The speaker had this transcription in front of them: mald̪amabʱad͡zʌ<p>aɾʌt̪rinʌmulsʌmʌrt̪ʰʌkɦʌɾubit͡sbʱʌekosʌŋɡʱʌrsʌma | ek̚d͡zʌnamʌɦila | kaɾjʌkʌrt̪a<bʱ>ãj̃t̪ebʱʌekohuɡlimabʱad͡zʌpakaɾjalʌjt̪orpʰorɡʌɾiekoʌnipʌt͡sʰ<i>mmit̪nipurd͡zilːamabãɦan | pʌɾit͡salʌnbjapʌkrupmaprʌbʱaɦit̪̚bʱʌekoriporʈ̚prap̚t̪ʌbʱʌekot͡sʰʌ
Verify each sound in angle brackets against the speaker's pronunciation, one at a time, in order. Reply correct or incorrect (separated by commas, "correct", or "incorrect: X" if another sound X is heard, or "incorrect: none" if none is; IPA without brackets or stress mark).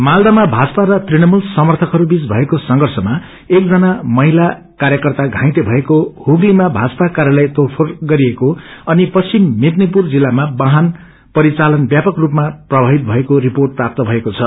correct, incorrect: ɡʱ, correct